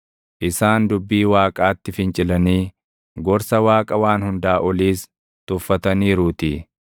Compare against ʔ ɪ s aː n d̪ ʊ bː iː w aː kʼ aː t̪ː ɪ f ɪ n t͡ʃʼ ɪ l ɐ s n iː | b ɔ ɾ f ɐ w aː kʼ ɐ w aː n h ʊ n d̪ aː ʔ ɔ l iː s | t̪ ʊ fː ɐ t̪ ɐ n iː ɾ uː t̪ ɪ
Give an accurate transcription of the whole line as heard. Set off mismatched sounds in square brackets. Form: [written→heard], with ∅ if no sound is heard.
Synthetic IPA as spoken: ʔ ɪ s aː n d̪ ʊ bː iː w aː kʼ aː t̪ː ɪ f ɪ n t͡ʃʼ ɪ l ɐ [s→∅] n iː | [b→ɡ] ɔ ɾ [f→s] ɐ w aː kʼ ɐ w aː n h ʊ n d̪ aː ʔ ɔ l iː s | t̪ ʊ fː ɐ t̪ ɐ n iː ɾ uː t̪ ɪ

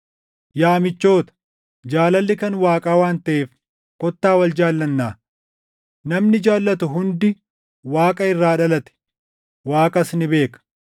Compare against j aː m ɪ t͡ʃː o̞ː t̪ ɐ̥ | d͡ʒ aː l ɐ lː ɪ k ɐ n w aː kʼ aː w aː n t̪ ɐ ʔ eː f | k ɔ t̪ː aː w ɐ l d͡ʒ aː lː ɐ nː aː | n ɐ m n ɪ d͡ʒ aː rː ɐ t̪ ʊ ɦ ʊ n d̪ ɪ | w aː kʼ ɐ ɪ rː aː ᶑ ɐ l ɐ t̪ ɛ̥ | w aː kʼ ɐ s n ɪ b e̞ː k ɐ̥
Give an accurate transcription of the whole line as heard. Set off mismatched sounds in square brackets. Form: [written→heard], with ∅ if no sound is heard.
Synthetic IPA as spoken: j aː m ɪ t͡ʃː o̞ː t̪ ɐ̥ | d͡ʒ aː l ɐ lː ɪ k ɐ n w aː kʼ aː w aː n t̪ ɐ ʔ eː f | k ɔ t̪ː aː w ɐ l d͡ʒ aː lː ɐ nː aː | n ɐ m n ɪ d͡ʒ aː [rː→lː] ɐ t̪ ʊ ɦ ʊ n d̪ ɪ | w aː kʼ ɐ ɪ rː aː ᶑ ɐ l ɐ t̪ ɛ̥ | w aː kʼ ɐ s n ɪ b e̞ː k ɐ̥

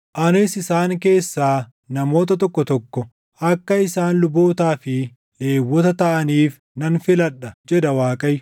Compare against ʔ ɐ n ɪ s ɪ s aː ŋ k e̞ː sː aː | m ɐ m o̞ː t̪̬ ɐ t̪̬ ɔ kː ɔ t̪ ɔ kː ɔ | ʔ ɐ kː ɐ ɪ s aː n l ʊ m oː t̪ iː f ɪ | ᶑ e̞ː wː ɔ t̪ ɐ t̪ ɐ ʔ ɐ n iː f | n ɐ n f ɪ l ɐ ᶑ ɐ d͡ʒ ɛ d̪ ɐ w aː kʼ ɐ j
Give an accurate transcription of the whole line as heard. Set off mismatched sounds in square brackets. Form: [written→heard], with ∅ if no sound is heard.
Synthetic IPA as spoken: ʔ ɐ n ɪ s ɪ s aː ŋ k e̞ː sː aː | [m→n] ɐ m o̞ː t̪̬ ɐ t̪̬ ɔ kː ɔ t̪ ɔ kː ɔ | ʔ ɐ kː ɐ ɪ s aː n l ʊ [m→b] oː t̪ [iː→aː] f ɪ | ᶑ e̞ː wː ɔ t̪ ɐ t̪ ɐ ʔ ɐ n iː f | n ɐ n f ɪ l ɐ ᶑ ɐ d͡ʒ ɛ d̪ ɐ w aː kʼ ɐ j

